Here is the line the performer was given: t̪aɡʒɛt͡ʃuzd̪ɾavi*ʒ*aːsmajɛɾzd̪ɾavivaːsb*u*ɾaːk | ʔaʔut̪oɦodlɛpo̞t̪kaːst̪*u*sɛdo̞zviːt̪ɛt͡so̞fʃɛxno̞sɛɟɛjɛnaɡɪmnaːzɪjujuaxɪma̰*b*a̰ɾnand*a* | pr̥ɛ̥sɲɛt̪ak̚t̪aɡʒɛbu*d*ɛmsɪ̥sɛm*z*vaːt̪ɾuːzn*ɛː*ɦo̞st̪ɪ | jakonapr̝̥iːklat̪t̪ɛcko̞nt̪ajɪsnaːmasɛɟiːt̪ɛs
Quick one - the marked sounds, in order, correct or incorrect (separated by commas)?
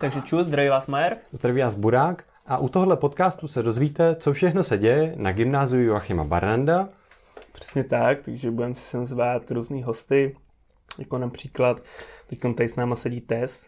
incorrect, correct, correct, correct, correct, correct, correct, incorrect